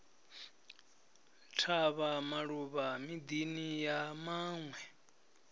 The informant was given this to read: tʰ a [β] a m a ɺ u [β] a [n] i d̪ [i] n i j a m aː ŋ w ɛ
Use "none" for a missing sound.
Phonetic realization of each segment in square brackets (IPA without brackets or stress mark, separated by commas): β, β, m, i